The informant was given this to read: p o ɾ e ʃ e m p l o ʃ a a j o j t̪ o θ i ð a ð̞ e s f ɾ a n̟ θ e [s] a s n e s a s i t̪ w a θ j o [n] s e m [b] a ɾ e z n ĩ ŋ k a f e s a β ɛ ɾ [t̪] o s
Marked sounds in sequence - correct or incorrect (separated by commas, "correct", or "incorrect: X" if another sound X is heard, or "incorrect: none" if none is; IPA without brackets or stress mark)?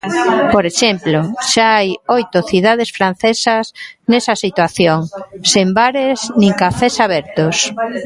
correct, incorrect: ŋ, correct, correct